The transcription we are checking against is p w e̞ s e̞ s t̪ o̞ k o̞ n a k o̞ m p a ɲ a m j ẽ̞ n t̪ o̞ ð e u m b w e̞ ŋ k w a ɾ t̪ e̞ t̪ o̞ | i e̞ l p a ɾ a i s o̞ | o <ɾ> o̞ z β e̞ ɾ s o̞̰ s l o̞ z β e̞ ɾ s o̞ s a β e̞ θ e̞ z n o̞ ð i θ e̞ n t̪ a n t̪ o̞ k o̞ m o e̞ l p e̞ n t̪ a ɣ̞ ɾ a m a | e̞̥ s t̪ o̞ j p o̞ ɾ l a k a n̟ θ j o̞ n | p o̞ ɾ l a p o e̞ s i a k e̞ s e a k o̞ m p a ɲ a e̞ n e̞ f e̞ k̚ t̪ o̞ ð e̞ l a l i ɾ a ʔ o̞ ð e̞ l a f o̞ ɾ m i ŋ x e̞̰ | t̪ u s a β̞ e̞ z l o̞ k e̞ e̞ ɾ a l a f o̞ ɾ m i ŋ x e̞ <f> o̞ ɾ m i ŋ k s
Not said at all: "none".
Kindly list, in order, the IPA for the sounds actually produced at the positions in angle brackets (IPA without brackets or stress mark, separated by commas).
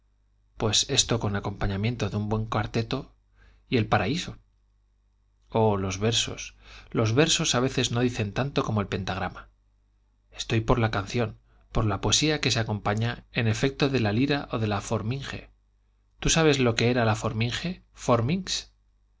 l, f